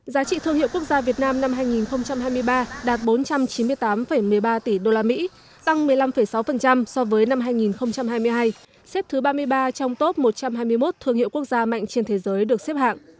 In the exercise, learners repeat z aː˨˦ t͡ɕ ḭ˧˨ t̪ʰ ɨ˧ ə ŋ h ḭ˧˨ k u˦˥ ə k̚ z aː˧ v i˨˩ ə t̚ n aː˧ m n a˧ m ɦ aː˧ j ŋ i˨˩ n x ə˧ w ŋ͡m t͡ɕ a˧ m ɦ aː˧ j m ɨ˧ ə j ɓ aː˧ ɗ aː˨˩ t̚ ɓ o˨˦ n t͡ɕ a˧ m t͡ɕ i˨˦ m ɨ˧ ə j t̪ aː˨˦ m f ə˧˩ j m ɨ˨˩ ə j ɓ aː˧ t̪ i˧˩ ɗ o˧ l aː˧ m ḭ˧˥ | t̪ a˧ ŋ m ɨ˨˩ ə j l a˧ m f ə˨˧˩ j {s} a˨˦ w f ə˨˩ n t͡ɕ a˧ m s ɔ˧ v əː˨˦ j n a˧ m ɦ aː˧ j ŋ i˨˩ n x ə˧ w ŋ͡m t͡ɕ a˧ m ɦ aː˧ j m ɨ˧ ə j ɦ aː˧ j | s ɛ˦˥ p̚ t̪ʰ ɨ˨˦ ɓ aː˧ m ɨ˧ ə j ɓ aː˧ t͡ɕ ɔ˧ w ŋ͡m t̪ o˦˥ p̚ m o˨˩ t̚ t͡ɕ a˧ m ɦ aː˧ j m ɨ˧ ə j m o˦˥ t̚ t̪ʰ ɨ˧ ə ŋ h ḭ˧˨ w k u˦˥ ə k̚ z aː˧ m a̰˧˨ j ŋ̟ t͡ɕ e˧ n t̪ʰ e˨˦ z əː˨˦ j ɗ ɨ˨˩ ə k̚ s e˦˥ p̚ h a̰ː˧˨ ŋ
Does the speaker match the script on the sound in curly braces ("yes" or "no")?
yes